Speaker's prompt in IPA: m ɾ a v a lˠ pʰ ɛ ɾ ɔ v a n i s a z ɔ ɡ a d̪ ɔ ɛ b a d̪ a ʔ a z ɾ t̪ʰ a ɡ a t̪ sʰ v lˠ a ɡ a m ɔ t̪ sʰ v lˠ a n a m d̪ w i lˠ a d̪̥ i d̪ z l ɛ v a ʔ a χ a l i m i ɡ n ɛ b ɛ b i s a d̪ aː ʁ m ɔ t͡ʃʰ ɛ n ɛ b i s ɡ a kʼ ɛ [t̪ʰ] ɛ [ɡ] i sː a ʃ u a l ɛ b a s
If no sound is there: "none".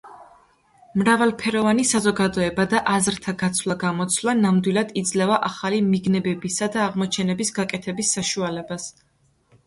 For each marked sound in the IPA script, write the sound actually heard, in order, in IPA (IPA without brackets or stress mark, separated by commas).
t̪ʰ, b